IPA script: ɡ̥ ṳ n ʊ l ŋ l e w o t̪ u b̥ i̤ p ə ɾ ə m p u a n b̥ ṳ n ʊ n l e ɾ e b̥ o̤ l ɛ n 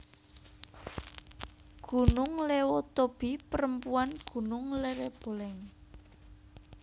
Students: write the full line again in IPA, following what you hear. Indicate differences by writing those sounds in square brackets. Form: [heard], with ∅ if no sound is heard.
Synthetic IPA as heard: ɡ̥ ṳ n ʊ [∅] ŋ l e w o t̪ [o] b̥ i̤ p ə ɾ ə m p u a n [ɡ̥] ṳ n ʊ [ŋ] l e ɾ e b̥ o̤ l ɛ [ŋ]